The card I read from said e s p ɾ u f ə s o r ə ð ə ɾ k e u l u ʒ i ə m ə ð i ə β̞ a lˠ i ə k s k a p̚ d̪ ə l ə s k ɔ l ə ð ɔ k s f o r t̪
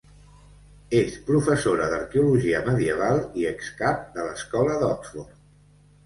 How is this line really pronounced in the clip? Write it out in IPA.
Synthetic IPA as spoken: e s p ɾ u f ə s o ɾ ə ð ə ɾ k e u l u ʒ i ə m ə ð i ə β̞ a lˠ i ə k s k a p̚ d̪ ə l ə s k ɔ l ə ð ɔ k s f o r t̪

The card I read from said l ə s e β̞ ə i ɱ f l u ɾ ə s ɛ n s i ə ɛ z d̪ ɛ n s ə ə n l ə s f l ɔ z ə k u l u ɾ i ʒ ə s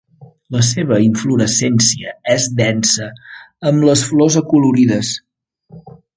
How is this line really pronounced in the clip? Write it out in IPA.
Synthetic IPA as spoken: l ə s e β̞ ə i ɱ f l u ɾ ə s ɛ n s i ə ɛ z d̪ ɛ n s ə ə m l ə s f l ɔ z ə k u l u ɾ i ð ə s

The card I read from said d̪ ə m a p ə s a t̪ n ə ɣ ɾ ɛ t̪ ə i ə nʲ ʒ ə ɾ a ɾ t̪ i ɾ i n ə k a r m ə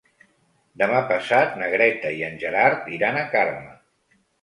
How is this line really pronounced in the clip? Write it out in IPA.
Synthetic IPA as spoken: d̪ ə m a p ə s a t̪ n ə ɣ ɾ ɛ t̪ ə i ə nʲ ʒ ə ɾ a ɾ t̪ i ɾ a n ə k a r m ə

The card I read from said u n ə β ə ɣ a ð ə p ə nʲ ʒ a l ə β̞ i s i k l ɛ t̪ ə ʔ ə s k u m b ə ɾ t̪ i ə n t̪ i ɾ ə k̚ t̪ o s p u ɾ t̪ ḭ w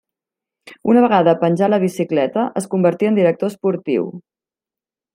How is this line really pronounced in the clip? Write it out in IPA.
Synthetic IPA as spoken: u n ə β ə ɣ a ð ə p ə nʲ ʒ a l ə β̞ i s i k l ɛ t̪ ə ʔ ə s k u m b ə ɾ t̪ i ə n d̪ i ɾ ə k̚ t̪ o s p u ɾ t̪ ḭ w

